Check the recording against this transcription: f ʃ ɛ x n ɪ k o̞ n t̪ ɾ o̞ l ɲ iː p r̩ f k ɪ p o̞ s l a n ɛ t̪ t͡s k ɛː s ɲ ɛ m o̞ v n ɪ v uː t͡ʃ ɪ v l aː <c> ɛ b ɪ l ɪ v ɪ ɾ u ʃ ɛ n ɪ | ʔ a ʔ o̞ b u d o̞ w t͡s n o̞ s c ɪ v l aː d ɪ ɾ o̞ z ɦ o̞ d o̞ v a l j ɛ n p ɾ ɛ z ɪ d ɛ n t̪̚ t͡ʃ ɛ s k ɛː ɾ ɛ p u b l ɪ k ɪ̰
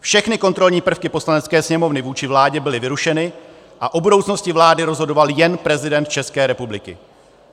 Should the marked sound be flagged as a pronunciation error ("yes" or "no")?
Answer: yes